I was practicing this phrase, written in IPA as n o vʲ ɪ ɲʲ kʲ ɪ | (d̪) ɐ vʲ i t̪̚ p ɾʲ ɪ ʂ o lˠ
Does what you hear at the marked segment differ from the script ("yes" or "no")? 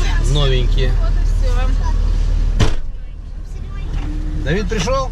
no